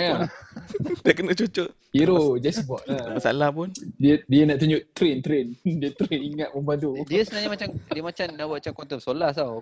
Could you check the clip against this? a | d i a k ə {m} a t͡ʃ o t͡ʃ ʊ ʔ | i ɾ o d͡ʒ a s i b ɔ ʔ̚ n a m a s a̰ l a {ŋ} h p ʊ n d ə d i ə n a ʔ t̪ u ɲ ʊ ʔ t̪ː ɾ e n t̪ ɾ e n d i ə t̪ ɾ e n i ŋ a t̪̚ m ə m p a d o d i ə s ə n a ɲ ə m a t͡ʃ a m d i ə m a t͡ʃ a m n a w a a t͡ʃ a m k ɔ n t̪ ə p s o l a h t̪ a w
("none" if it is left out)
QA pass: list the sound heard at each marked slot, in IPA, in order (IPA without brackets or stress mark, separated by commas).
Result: n, none